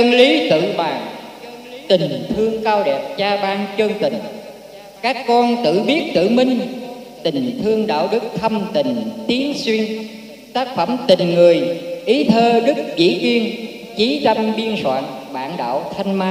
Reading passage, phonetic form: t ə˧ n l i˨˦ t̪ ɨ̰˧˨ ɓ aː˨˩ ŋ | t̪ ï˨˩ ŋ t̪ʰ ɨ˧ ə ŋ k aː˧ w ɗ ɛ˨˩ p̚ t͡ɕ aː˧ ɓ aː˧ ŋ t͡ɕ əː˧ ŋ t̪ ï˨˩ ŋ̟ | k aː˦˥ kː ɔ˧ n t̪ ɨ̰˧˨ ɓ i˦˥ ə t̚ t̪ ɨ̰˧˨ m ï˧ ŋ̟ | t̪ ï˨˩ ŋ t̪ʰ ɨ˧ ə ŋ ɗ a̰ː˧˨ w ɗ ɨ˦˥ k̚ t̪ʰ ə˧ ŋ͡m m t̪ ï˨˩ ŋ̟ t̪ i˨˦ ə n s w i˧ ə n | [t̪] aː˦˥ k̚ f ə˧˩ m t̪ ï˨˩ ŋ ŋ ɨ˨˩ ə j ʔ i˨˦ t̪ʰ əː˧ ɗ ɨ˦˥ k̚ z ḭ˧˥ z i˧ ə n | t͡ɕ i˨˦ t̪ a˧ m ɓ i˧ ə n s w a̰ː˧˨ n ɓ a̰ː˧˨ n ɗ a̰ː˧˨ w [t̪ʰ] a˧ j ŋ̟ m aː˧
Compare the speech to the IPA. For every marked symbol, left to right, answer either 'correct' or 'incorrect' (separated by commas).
correct, correct